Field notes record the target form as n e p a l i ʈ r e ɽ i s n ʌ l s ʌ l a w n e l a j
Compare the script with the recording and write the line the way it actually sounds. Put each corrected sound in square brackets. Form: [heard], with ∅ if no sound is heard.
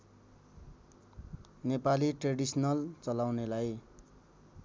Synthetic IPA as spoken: n e p a l i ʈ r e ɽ i s n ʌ l [t͡s] ʌ l a w n e l a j

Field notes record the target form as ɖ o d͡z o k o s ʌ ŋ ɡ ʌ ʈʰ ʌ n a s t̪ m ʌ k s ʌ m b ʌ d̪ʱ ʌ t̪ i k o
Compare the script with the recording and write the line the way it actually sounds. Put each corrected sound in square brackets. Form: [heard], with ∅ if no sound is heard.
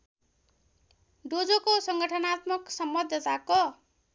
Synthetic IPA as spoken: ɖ o d͡z o k o s ʌ ŋ ɡ ʌ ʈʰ ʌ n a [∅] t̪ m ʌ k s ʌ m b ʌ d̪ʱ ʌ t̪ [a] k o

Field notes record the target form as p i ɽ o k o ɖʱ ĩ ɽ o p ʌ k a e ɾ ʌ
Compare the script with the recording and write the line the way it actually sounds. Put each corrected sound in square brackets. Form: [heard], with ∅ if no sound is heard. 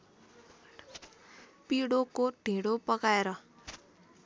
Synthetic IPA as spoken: p i ɽ o k o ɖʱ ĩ ɽ o p ʌ k a e ɾ ʌ

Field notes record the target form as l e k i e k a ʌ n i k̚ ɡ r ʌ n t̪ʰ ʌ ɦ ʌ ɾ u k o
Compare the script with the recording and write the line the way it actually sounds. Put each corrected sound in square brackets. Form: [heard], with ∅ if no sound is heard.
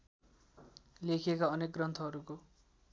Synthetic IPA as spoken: l e [kʰ] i e k a ʌ n [e] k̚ ɡ r ʌ n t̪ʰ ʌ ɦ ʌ ɾ u k o

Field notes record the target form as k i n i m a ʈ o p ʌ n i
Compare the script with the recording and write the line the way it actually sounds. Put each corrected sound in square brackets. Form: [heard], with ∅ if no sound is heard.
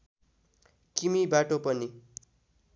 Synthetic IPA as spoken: k i [m] i [b] a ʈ o p ʌ n i

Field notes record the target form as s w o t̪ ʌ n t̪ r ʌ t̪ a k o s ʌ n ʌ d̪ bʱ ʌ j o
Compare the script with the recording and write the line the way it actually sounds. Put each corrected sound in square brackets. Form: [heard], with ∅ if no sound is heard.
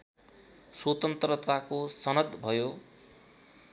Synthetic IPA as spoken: s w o t̪ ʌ n t̪ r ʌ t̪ a k o s ʌ n ʌ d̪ bʱ ʌ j o

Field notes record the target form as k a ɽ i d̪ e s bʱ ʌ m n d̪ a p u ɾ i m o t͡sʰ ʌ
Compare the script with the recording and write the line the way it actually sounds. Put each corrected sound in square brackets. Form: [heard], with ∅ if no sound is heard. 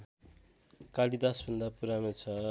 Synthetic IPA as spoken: k a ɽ i d̪ [a] s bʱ ʌ [∅] n d̪ a p u ɾ [a] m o t͡sʰ ʌ

